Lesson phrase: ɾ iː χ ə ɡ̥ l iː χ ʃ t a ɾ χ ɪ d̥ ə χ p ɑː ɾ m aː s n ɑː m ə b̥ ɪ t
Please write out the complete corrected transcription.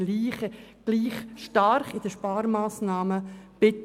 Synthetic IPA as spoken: l iː χ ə ɡ̥ l iː χ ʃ t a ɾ χ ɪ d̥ ə ʃ p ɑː ɾ m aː s n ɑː m ə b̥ ɪ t